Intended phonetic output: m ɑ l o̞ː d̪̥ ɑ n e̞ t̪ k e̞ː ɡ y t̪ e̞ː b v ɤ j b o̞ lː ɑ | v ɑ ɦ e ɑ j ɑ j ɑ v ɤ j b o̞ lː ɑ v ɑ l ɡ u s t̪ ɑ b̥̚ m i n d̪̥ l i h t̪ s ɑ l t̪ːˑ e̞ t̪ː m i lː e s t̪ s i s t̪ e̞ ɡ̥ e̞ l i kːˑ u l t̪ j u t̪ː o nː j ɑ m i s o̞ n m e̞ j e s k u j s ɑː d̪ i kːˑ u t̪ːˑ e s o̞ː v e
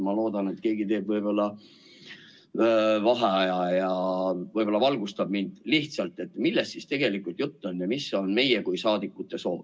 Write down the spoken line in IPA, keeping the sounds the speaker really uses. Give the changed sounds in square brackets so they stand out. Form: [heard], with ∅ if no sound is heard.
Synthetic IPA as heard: m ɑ l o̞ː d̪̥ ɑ n e̞ t̪ k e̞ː ɡ [i] t̪ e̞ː b v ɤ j b o̞ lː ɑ | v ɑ ɦ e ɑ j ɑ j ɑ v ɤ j b o̞ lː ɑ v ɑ l ɡ u s t̪ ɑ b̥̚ m i n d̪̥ l i h t̪ s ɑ l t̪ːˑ e̞ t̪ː m i lː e s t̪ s i s t̪ e̞ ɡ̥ e̞ l i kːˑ u l t̪ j u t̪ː o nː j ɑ m i s o̞ n m e̞ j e [∅] k u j s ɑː d̪ i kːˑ u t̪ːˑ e s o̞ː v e